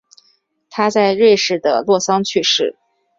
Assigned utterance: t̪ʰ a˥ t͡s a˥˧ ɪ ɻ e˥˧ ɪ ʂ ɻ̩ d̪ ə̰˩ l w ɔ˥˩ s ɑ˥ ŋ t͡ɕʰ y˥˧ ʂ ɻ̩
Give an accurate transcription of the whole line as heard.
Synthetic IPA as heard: t̪ʰ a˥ t͡s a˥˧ ɪ ɻ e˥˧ ɪ ʂ ɻ̩ d̪ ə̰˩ l w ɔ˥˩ s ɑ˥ ŋ t͡ɕʰ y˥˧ ʂ ɻ̩